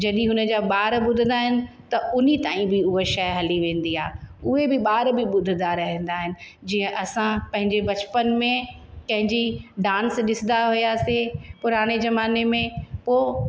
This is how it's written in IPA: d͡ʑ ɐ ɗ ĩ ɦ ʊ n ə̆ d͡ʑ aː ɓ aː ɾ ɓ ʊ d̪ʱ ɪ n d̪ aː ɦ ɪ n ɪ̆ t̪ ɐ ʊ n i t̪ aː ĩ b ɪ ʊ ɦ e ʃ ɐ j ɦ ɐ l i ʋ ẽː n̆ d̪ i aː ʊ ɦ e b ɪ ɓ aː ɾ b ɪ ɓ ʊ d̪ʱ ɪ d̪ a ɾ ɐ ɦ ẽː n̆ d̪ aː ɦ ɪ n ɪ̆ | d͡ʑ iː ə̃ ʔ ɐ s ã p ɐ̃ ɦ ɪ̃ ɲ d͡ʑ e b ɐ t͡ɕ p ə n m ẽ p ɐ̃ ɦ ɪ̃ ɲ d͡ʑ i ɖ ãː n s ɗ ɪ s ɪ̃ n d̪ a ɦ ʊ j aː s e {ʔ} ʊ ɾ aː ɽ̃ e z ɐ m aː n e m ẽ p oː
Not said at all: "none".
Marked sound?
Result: p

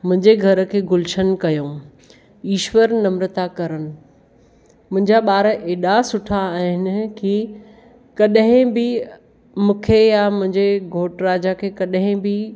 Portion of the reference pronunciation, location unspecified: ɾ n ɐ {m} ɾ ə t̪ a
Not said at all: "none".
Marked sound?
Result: m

